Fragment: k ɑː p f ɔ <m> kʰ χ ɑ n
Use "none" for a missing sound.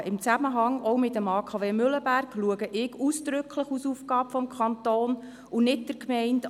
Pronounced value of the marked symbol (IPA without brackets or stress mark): m